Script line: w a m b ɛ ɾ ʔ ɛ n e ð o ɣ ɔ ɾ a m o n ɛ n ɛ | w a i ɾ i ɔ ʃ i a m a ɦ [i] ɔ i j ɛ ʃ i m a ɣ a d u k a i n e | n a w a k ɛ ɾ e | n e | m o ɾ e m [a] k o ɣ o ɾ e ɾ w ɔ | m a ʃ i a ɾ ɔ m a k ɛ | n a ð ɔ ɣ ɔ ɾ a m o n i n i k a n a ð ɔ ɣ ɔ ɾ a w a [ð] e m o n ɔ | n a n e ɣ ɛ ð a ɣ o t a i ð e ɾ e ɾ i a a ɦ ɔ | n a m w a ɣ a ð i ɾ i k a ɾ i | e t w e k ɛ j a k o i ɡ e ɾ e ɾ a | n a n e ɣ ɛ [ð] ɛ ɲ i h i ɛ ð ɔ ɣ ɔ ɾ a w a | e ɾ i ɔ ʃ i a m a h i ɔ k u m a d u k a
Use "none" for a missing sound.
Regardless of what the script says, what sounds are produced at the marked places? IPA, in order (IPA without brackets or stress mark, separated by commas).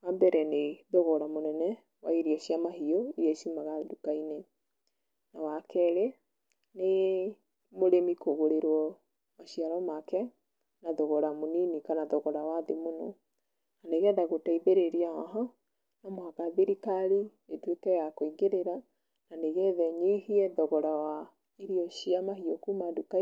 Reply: i, i, ð, ð